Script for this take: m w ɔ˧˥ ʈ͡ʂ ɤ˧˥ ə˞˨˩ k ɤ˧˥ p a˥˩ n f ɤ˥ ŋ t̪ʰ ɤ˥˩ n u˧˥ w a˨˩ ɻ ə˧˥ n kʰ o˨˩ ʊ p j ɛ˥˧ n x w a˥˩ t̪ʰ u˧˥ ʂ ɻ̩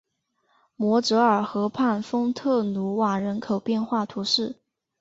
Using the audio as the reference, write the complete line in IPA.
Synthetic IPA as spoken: m w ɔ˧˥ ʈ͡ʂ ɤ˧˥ ə˞˨˩ x ɤ˧˥ pʰ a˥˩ n f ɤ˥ ŋ t̪ʰ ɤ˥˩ n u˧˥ w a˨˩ ɻ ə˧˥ n kʰ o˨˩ ʊ p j ɛ˥˧ n x w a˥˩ t̪ʰ u˧˥ ʂ ɻ̩

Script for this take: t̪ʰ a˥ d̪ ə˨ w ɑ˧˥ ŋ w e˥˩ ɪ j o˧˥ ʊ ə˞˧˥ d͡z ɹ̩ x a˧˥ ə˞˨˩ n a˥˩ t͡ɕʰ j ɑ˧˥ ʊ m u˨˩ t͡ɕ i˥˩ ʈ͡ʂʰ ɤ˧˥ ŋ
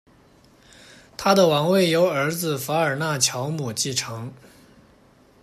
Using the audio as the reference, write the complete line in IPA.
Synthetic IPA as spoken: t̪ʰ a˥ d̪ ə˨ w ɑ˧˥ ŋ w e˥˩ ɪ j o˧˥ ʊ ə˞˧˥ d͡z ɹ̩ f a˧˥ ə˞˨˩ n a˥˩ t͡ɕʰ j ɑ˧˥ ʊ m u˨˩ t͡ɕ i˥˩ ʈ͡ʂʰ ɤ˧˥ ŋ

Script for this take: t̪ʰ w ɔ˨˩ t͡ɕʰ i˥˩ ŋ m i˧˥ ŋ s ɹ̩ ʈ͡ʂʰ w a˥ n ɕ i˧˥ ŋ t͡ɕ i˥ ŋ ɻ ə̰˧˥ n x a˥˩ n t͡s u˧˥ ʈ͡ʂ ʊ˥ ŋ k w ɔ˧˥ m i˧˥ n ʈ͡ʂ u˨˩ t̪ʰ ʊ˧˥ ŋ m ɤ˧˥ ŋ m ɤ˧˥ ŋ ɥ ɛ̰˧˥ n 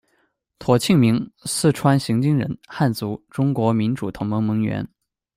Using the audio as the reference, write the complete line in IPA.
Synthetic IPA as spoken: t̪ʰ w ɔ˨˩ t͡ɕʰ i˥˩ ŋ m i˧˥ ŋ s ɹ̩ ʈ͡ʂʰ w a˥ n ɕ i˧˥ ŋ t͡ɕ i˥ ŋ ɻ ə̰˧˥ n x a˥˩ n t͡s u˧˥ ʈ͡ʂ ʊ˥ ŋ k w ɔ˧˥ m i˧˥ n ʈ͡ʂ u˨˩ t̪ʰ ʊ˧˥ ŋ m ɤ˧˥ ŋ m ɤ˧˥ ŋ ɥ ɛ̰˧˥ n

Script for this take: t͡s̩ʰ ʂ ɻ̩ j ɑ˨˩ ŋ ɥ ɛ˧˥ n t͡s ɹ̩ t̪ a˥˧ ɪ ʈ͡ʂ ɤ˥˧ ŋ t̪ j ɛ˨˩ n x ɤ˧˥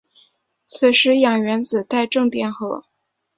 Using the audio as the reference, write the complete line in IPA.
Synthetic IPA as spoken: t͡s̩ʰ ʂ ɻ̩ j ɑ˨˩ ŋ ɥ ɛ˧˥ n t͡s ɹ̩ t̪ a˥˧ ɪ ʈ͡ʂ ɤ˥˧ ŋ t̪ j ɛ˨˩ n x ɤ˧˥

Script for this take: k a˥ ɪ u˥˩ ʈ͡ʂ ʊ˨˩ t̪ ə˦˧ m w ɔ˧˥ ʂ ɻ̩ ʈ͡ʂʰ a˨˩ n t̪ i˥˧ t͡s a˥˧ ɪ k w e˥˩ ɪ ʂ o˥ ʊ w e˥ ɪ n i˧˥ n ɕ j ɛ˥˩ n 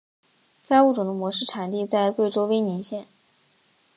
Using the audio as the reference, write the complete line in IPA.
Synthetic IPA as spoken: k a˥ ɪ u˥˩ ʈ͡ʂ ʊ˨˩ d̪ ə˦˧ m w ɔ˧˥ ʂ ɻ̩ ʈ͡ʂʰ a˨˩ n t̪ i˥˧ t͡s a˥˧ ɪ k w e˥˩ ɪ ʈ͡ʂ o˥ ʊ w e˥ ɪ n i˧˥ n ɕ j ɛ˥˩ n

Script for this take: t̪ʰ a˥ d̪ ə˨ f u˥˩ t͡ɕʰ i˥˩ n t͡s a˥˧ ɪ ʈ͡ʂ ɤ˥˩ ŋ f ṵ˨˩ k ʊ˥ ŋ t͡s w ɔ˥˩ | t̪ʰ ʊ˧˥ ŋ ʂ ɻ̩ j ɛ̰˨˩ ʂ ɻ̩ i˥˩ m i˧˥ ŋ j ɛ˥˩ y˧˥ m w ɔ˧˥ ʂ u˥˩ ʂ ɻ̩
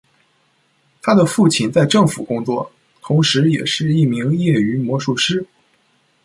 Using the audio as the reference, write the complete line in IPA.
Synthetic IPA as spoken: t̪ʰ a˥ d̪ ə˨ f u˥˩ t͡ɕʰ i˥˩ n t͡s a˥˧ ɪ ʈ͡ʂ ɤ˥˩ ŋ f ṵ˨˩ k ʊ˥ ŋ t͡s w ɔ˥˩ | t̪ʰ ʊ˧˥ ŋ ʂ ɻ̩ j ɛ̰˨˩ ʂ ɻ̩ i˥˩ m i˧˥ ŋ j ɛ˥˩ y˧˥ m w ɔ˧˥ ʂ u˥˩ ʂ ɻ̩

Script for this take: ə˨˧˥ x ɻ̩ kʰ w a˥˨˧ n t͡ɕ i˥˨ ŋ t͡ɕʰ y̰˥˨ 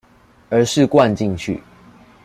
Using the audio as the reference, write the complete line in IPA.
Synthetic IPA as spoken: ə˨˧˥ ʂ ɻ̩ k w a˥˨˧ n t͡ɕ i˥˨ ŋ t͡ɕʰ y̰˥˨

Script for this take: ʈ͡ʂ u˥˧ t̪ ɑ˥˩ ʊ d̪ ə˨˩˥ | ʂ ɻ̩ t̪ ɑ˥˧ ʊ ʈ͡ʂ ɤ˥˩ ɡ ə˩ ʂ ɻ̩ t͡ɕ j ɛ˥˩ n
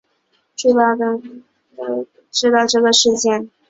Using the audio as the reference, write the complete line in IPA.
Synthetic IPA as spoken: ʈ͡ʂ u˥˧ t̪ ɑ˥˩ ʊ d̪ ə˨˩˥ | ʈ͡ʂ ɻ̩ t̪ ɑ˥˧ ʊ ʈ͡ʂ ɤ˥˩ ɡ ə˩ ʂ ɻ̩ t͡ɕ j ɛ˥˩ n

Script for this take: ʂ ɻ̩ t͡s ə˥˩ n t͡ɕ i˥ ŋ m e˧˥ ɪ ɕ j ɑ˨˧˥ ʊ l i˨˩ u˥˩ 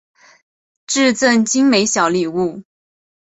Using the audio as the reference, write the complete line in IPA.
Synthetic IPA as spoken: ʈ͡ʂ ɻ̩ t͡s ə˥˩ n t͡ɕ i˥ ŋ m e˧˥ ɪ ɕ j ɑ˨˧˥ ʊ l i˨˩ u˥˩

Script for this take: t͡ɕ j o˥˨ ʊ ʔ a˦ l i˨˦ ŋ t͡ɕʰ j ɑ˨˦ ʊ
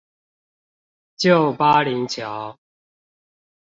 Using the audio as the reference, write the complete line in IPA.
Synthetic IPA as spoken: t͡ɕ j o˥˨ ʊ p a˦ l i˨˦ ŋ t͡ɕʰ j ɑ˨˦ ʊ

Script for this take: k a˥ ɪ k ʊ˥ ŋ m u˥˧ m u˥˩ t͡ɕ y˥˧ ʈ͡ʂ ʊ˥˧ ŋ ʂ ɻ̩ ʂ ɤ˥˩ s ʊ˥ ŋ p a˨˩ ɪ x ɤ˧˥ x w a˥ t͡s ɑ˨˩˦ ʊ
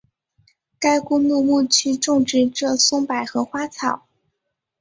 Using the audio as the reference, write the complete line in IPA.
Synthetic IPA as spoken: k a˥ ɪ k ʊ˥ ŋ m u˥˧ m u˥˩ t͡ɕʰ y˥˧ ʈ͡ʂ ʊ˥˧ ŋ ʈ͡ʂ ɻ̩ ʈ͡ʂ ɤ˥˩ s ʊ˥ ŋ p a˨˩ ɪ x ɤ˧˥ x w a˥ t͡sʰ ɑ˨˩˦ ʊ

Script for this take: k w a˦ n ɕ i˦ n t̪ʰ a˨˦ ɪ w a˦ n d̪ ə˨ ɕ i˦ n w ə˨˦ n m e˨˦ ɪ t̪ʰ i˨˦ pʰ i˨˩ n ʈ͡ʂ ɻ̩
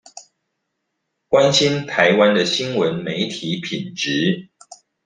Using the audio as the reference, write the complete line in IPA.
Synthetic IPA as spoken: k w a˦ n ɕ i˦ n t̪ʰ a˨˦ ɪ w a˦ n d̪ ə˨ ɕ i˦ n w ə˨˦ n m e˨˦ ɪ t̪ʰ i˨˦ pʰ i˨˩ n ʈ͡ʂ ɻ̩

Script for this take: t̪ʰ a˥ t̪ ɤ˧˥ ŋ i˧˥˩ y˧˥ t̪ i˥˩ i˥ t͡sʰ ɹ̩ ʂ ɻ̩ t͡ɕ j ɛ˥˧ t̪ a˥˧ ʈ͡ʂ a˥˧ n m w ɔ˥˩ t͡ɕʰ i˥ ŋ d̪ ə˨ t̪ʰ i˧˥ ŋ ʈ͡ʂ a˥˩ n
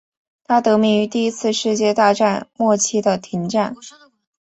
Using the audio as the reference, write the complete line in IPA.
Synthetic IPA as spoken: t̪ʰ a˥ t̪ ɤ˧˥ m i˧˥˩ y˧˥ t̪ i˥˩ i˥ t͡sʰ ɹ̩ ʂ ɻ̩ t͡ɕ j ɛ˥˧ t̪ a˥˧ ʈ͡ʂ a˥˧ n m w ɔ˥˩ t͡ɕʰ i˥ d̪ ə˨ t̪ʰ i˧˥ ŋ ʈ͡ʂ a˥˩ n

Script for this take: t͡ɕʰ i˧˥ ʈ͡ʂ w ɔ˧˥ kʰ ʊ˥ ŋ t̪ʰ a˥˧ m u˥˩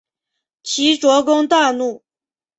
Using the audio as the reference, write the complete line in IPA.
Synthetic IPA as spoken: t͡ɕʰ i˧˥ ʈ͡ʂ w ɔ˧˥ k ʊ˥ ŋ t̪ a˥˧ n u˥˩

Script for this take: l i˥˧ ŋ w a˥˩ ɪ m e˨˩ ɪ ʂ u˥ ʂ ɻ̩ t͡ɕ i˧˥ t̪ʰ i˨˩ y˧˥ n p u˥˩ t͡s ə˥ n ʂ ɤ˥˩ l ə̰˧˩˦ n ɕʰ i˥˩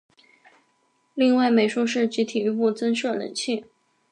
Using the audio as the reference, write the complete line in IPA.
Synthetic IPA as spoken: l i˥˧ ŋ w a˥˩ ɪ m e˨˩ ɪ ʂ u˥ ʂ ɻ̩ t͡ɕ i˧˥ t̪ʰ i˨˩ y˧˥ p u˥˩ t͡s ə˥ n ʂ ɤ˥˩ l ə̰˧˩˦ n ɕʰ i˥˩

